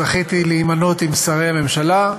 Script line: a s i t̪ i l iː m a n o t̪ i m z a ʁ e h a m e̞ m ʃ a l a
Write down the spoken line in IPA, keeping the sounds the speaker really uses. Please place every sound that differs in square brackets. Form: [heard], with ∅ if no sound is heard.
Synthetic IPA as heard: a [χ] i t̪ i l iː m a n o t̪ i m [s] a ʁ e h a m e̞ m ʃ a l a